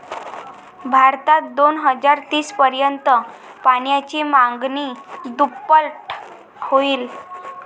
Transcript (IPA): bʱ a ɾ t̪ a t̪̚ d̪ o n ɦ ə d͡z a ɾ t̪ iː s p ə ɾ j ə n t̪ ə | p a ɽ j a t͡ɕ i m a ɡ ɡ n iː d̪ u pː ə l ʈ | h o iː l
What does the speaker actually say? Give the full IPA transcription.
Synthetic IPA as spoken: bʱ a ɾ t̪ a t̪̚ d̪ o n ɦ ə d͡z a ɾ t̪ iː s p ə ɾ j ə n t̪ ə | p a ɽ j a t͡ɕ i m a ŋ ɡ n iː d̪ u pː ə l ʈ | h o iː l